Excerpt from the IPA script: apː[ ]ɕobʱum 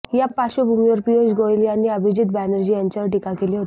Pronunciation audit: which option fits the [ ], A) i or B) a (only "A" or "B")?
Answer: B